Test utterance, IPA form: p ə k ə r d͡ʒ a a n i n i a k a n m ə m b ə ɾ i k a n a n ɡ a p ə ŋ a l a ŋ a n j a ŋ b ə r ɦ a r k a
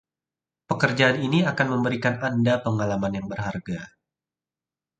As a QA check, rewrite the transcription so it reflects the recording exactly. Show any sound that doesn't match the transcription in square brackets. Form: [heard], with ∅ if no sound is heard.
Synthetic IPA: p ə k ə r d͡ʒ a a n i n i a k a n m ə m b ə ɾ i k a n a n [d] a p ə ŋ a l a [m] a n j a ŋ b ə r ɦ a r [ɡ] a